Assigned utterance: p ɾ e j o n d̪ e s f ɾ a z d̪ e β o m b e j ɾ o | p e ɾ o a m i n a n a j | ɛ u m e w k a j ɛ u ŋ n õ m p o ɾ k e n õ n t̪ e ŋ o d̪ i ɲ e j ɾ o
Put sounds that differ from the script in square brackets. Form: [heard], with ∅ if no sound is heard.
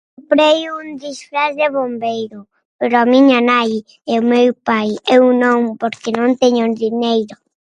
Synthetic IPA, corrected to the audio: p ɾ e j [u] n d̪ [i] s f ɾ a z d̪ e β o m b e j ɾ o | p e ɾ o a m i [ɲ] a n a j | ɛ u m e w [p] a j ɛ u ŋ n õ m p o ɾ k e n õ n t̪ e [ɲ] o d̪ i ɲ e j ɾ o